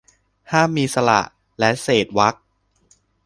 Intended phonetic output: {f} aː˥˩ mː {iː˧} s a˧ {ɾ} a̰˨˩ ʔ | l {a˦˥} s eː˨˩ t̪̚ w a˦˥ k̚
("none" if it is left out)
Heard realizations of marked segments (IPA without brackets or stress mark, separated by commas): h, iː˧, l, ɛ˦˥